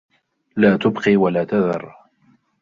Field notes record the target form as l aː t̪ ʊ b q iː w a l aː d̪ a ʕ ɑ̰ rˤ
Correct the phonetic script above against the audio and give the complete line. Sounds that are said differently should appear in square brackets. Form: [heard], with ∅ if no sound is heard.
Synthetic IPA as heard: l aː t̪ ʊ b q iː w a l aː [t̪] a [ð] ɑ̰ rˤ